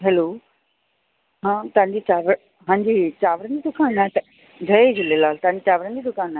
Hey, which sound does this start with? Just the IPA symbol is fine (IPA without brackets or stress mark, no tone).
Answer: ɦ